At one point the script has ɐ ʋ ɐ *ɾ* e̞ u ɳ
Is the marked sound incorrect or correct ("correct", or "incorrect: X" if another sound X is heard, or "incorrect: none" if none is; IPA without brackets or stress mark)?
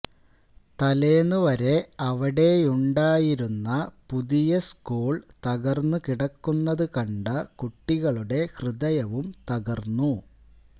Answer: incorrect: ɽ